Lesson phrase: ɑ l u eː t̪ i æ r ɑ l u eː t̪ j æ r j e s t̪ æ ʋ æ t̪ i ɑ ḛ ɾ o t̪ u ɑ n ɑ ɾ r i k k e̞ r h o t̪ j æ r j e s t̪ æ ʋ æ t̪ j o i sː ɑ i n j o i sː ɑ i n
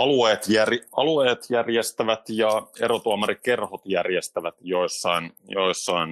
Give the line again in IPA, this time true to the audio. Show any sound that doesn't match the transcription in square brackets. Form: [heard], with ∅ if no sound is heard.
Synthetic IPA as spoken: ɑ l u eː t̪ [j] æ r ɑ l u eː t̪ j æ r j e s t̪ æ ʋ æ t̪ [j] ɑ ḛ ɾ o t̪ u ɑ [m] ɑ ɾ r i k k e̞ r h o t̪ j æ r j e s t̪ æ ʋ æ t̪ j o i sː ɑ i n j o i sː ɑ i n